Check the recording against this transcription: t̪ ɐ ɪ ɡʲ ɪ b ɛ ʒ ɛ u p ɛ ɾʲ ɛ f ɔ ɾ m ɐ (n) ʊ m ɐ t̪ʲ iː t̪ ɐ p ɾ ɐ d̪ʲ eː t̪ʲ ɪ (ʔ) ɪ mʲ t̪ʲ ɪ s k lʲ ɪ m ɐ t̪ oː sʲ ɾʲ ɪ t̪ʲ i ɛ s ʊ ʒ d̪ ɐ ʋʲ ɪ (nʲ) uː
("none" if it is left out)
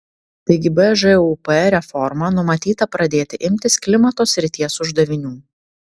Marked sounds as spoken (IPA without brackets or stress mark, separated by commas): n, ʔ, nʲ